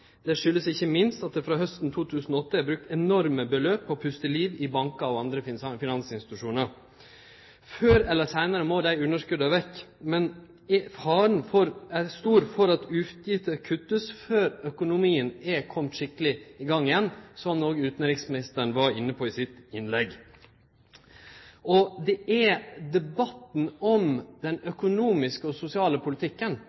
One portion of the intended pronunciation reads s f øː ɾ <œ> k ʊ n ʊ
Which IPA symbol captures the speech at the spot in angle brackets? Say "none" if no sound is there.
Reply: œ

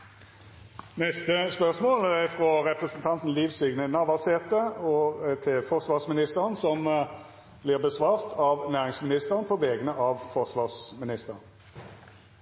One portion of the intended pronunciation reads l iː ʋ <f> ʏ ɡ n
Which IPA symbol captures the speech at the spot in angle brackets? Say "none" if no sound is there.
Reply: s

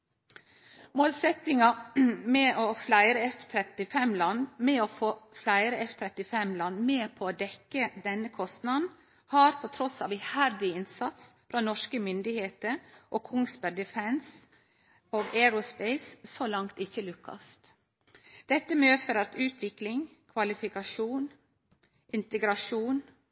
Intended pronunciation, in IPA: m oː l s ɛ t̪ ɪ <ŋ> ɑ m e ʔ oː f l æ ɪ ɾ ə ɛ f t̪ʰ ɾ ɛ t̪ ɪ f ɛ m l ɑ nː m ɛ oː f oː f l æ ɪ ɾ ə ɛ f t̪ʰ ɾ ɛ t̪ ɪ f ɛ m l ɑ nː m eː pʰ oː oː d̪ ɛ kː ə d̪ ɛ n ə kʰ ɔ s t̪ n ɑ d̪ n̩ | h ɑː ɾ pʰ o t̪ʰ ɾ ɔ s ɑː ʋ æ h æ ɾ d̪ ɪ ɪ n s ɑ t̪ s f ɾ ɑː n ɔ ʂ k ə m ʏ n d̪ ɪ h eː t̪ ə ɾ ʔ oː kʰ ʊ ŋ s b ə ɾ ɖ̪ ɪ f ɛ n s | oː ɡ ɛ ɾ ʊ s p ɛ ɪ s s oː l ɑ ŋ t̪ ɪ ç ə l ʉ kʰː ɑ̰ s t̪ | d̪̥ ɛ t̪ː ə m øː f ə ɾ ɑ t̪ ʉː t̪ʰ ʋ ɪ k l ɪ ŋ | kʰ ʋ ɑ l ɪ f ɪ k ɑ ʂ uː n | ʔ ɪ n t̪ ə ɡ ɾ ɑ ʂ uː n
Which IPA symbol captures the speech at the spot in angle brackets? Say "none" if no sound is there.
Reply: ŋ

